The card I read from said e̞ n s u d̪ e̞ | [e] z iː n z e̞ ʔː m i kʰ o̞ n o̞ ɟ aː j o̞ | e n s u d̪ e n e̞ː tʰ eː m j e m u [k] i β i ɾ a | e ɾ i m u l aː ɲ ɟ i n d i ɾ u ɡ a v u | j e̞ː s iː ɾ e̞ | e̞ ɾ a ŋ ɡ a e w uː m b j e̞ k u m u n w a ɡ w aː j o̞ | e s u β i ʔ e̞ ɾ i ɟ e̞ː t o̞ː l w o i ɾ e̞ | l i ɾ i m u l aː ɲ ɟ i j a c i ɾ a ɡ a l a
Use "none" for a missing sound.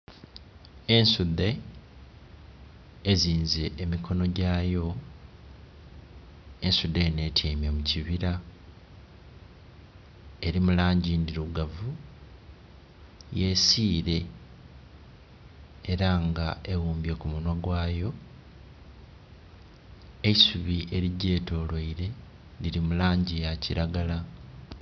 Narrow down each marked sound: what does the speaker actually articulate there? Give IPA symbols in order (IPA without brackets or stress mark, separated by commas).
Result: e, c